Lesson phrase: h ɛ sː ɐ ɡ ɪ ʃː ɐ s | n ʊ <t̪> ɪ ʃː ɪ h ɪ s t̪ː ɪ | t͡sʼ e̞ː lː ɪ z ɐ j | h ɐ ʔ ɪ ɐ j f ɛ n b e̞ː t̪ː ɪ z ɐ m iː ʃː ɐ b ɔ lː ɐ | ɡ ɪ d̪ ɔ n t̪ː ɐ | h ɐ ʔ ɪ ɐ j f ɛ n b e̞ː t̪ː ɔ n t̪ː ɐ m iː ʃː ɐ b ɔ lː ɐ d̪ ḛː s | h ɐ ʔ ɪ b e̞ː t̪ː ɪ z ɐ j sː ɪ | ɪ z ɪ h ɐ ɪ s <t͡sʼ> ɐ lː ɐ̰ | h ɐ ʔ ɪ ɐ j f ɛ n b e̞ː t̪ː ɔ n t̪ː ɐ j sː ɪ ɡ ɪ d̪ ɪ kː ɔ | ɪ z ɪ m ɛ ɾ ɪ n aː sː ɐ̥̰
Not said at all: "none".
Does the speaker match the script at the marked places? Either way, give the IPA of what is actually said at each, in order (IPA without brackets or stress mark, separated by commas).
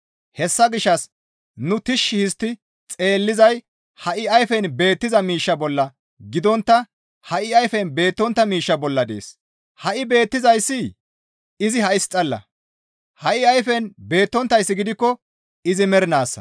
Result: t̪, t͡sʼ